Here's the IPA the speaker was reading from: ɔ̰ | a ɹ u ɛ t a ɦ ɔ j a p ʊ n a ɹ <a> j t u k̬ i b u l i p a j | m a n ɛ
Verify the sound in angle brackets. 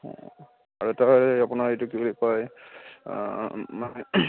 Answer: incorrect: e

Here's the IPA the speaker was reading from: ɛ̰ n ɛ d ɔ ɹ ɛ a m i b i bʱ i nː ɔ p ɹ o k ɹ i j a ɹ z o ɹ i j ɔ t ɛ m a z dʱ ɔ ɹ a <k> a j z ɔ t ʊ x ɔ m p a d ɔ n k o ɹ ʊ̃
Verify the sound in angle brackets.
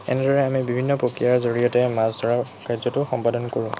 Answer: correct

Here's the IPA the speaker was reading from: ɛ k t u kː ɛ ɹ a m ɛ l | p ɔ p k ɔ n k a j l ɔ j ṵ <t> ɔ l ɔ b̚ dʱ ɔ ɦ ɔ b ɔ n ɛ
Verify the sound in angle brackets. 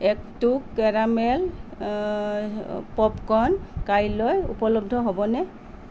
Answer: incorrect: p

